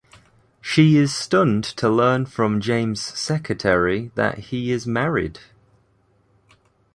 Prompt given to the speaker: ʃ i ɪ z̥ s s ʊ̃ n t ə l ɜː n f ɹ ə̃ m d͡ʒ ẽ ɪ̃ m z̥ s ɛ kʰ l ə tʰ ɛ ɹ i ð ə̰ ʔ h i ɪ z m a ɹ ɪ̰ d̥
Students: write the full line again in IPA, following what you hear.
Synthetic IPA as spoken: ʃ i ɪ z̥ s t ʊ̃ n tʰ ə l ɜː n f ɹ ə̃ m d͡ʒ ẽ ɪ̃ m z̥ s ɛ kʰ ɹ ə tʰ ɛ ɹ i ð ə̰ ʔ h i ɪ z m a ɹ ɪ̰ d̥